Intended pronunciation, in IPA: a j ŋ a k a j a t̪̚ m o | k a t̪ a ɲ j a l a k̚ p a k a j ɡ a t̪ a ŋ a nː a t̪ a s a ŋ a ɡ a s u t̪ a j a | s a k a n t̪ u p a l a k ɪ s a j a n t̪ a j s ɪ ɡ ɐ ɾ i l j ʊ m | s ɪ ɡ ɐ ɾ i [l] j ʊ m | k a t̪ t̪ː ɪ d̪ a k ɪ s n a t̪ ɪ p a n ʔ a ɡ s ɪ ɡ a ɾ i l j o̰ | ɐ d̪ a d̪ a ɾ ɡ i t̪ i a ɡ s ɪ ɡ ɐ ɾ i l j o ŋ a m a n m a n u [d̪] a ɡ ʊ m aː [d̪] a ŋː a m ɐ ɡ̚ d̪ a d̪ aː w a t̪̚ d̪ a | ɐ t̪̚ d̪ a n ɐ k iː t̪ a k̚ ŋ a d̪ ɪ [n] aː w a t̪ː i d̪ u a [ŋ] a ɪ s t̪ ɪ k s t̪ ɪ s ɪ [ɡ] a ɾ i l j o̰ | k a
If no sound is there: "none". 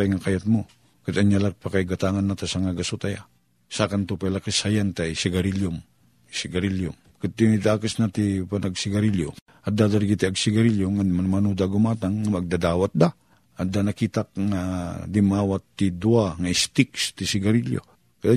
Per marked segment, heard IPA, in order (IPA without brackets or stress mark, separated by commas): l, d̪, t̪, m, ŋ, ɡ